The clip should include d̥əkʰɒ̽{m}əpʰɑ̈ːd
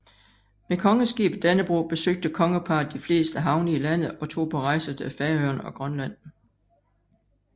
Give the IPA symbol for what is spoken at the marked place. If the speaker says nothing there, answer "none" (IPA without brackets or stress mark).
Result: ŋ